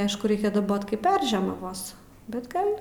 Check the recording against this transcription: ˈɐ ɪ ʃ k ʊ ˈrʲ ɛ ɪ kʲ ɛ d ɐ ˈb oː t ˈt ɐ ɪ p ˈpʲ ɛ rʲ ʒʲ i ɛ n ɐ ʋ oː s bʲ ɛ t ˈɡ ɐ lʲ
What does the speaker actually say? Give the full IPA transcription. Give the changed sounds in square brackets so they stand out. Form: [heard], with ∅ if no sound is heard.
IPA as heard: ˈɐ ɪ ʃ k ʊ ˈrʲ ɛ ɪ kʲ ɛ d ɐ ˈb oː t [ˈk] ɐ ɪ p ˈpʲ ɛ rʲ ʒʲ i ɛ [m] ɐ ʋ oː s bʲ ɛ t ˈɡ ɐ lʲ